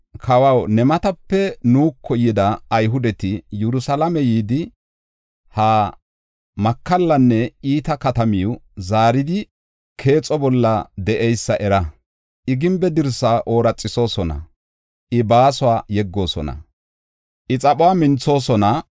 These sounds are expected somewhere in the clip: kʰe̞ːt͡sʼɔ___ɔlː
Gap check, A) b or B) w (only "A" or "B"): A